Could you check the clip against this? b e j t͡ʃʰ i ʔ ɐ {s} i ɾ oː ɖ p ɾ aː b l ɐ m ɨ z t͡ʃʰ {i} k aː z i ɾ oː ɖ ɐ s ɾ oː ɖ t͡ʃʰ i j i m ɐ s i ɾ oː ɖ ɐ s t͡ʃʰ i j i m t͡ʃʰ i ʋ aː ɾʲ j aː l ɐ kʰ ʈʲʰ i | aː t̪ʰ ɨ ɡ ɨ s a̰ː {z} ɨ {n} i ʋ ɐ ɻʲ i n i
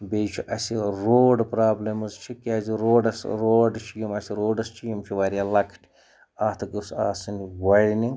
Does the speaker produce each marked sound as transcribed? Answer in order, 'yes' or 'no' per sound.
yes, yes, no, yes

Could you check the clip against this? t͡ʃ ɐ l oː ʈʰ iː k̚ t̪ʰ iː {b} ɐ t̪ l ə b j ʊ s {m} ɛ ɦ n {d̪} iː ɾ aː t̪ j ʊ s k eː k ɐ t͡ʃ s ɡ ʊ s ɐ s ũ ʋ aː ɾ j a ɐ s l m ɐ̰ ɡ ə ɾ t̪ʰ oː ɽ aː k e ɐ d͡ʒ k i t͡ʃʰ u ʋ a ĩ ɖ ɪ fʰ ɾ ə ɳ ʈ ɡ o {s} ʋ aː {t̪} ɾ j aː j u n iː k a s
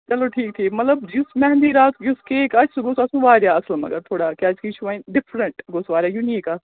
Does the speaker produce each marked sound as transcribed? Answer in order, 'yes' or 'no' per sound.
no, yes, yes, yes, no

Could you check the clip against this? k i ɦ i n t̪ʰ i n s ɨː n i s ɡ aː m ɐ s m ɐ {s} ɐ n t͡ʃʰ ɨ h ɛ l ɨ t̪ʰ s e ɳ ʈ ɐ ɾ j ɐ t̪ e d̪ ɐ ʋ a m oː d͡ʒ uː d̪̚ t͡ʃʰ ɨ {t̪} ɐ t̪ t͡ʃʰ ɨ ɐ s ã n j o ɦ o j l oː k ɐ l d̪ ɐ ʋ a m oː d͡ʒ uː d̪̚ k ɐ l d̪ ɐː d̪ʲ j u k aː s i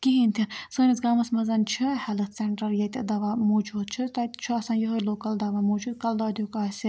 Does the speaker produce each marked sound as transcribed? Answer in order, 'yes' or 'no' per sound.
no, yes

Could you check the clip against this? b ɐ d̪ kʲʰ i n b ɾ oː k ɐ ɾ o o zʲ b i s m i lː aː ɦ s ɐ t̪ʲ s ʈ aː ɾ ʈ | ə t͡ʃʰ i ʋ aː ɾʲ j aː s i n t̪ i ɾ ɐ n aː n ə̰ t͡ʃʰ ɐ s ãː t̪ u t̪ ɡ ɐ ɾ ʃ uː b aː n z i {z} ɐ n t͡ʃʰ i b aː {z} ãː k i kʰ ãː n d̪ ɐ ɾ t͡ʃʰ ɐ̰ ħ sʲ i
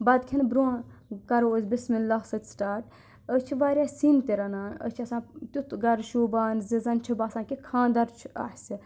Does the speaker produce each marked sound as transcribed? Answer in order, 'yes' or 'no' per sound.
yes, no

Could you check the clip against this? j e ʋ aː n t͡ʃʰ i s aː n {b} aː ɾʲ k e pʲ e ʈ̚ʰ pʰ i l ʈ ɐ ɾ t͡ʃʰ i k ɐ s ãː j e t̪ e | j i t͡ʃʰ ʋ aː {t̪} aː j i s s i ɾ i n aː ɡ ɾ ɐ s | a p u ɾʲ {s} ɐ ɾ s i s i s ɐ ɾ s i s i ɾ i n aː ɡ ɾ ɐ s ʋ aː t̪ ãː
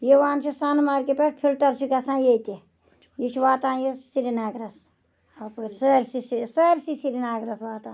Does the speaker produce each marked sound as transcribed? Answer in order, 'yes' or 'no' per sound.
no, yes, yes

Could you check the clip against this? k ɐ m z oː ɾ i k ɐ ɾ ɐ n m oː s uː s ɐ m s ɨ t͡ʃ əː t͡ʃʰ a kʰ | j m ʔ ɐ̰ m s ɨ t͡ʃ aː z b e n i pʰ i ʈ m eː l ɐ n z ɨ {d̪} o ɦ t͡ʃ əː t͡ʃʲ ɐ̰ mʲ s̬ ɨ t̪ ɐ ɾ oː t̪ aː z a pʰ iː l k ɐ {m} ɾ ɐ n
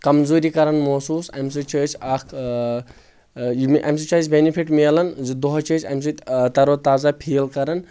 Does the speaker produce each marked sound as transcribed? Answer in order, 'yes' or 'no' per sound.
yes, no

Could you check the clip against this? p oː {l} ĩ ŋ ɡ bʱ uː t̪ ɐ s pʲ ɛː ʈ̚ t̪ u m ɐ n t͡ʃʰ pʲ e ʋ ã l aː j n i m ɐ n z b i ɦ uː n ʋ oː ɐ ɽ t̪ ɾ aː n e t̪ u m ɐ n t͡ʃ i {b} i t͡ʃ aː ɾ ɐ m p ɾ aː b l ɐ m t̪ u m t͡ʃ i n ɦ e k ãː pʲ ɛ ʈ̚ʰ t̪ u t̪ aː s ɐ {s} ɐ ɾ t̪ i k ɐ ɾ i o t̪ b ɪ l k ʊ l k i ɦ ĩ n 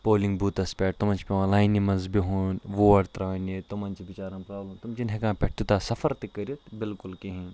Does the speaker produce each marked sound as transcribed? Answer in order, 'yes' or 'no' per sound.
yes, yes, no

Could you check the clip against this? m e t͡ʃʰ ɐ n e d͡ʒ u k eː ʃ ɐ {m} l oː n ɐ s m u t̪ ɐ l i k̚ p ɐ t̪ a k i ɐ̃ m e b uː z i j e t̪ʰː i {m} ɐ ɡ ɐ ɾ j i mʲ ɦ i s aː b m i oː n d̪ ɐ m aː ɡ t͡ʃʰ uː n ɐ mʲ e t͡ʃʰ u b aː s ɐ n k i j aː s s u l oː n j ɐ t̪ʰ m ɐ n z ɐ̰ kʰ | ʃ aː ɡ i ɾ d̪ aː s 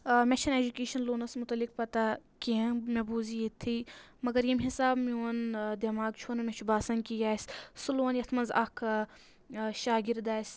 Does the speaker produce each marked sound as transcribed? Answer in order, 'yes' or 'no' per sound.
no, yes

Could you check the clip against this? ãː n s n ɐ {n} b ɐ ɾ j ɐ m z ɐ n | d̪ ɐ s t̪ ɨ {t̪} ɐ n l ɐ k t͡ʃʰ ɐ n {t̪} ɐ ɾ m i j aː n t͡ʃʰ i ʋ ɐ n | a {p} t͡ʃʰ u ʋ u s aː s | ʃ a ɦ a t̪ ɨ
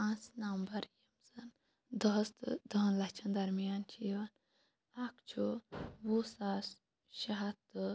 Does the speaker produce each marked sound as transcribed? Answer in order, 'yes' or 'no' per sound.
no, no, no, no

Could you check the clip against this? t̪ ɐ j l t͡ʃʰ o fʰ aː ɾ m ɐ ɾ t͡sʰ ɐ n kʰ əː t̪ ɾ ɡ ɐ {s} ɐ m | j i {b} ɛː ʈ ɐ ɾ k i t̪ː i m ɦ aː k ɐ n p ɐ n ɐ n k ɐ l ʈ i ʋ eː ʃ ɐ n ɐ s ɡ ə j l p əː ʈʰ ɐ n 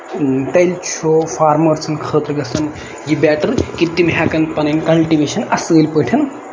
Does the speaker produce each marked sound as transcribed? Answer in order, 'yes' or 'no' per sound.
yes, yes

